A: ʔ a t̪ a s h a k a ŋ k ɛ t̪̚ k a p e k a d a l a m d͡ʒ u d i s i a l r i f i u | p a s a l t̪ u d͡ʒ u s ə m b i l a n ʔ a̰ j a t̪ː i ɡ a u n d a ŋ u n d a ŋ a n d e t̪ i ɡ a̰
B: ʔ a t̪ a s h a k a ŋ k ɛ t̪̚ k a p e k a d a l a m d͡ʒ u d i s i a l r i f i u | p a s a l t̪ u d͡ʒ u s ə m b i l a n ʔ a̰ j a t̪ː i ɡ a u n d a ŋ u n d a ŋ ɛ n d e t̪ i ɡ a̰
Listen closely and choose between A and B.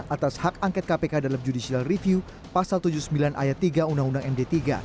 B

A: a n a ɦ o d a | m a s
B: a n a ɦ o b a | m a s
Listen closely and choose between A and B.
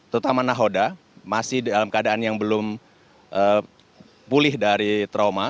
A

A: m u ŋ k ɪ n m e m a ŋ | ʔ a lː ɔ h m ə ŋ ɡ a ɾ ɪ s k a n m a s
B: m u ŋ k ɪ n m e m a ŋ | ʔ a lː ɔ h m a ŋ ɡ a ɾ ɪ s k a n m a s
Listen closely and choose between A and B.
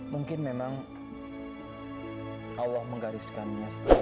A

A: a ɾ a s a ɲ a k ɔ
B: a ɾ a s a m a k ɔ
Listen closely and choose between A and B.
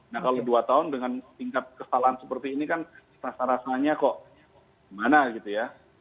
A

